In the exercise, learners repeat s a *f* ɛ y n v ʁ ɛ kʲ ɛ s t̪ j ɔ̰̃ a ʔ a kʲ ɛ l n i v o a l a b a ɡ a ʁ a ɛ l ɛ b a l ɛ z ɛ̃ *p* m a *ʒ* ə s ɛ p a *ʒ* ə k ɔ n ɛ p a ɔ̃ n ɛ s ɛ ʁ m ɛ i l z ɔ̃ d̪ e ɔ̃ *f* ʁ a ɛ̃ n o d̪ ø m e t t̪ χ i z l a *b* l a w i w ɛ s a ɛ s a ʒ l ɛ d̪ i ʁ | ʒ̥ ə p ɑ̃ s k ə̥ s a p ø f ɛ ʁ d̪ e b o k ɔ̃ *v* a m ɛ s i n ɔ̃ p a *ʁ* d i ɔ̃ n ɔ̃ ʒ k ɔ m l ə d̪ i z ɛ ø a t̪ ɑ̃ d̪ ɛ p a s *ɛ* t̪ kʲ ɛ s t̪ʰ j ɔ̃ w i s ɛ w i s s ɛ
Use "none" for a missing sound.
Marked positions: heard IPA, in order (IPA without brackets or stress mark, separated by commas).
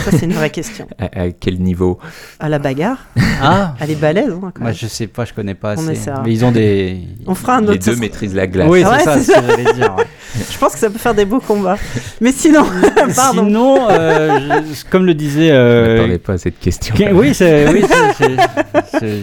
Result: s, k, ʒ, ʒ, f, ɡ, b, ʁ, ɛ